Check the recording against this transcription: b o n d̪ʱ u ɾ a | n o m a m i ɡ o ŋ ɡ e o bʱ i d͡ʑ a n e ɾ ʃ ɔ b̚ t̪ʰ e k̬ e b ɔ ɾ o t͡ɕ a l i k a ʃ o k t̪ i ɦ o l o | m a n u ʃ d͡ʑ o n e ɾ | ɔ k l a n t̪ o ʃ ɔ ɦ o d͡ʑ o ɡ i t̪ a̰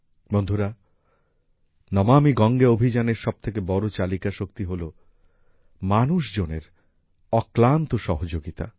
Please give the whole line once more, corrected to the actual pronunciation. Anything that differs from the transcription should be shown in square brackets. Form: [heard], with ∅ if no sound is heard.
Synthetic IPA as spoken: b o n d̪ʱ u ɾ a | n [ɔ] m a m i ɡ [ɔ] ŋ ɡ e o bʱ i d͡ʑ a n e ɾ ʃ ɔ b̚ t̪ʰ e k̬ e b ɔ ɾ o t͡ɕ a l i k a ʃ o k t̪ i ɦ o l o | m a n u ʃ d͡ʑ o n e ɾ | ɔ k l a n t̪ o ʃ ɔ ɦ o d͡ʑ o ɡ i t̪ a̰

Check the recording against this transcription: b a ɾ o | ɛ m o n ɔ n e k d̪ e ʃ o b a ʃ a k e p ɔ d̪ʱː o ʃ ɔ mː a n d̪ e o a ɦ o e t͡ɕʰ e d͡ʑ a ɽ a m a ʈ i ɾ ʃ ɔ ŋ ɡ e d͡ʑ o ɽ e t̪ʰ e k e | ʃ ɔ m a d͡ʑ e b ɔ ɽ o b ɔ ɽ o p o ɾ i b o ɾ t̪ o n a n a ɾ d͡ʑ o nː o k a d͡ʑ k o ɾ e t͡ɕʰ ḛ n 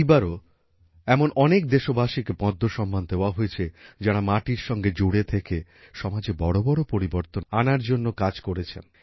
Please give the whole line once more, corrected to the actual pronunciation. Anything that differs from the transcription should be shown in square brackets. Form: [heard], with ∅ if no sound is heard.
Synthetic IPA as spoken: b a ɾ o | ɛ m o n ɔ n e k d̪ e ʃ o b a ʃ [i] k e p ɔ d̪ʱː o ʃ ɔ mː a n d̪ e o a ɦ o e t͡ɕʰ e d͡ʑ a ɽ a m a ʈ i ɾ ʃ ɔ ŋ ɡ e d͡ʑ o ɽ e t̪ʰ e k e | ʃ ɔ m a d͡ʑ e b ɔ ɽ o b ɔ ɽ o p o ɾ i b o ɾ t̪ o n a n a ɾ d͡ʑ o nː o k a d͡ʑ k o ɾ e t͡ɕʰ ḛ n

